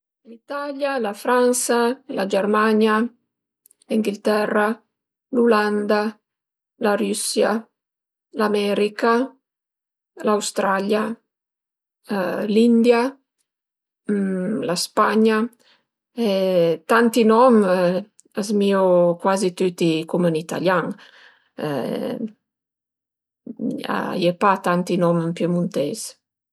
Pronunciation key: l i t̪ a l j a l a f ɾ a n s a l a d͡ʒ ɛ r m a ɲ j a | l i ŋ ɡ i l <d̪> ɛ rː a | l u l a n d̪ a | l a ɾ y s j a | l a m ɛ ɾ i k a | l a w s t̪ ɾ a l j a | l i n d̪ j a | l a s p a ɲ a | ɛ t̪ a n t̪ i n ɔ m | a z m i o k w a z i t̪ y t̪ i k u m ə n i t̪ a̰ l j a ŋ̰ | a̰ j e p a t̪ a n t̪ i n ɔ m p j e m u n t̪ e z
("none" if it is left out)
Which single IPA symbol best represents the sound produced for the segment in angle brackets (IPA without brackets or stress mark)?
t̪